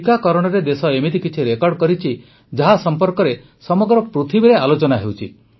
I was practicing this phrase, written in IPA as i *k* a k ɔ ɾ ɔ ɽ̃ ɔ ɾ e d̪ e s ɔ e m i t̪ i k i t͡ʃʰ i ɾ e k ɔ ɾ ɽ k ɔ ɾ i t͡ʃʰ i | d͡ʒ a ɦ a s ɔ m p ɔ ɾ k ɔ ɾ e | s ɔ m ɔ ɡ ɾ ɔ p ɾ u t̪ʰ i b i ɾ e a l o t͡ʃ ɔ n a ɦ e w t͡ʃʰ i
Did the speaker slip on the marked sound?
no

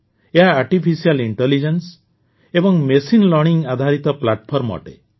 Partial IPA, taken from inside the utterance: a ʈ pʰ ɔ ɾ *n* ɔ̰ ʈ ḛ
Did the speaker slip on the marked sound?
yes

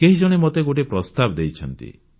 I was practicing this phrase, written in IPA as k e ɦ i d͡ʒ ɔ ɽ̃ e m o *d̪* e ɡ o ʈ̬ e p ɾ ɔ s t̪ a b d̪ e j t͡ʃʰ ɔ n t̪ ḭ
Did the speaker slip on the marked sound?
yes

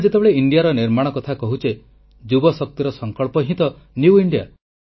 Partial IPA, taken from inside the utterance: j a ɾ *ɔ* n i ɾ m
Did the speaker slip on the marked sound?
no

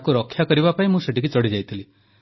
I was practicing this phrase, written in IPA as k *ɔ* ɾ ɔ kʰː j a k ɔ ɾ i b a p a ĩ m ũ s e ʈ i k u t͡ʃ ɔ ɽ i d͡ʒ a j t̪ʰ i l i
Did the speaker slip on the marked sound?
yes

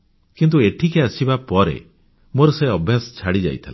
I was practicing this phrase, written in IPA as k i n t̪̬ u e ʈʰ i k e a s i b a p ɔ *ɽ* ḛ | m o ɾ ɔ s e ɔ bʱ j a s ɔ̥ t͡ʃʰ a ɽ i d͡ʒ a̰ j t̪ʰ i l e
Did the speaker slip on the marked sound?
yes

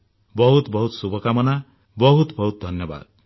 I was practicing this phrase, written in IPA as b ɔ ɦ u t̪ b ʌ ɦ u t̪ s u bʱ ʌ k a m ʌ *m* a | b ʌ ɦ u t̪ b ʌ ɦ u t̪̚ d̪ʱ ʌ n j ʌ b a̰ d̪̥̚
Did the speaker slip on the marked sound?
yes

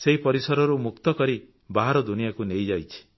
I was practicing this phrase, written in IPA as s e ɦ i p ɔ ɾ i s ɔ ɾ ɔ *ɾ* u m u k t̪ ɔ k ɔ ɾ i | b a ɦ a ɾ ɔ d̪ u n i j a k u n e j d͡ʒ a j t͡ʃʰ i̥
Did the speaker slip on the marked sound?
no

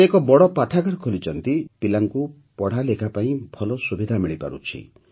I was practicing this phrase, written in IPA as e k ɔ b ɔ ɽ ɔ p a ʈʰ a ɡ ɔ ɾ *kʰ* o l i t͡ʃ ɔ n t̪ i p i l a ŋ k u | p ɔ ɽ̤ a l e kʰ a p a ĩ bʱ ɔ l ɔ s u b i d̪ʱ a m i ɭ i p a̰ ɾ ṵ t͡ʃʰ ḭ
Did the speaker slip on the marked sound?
no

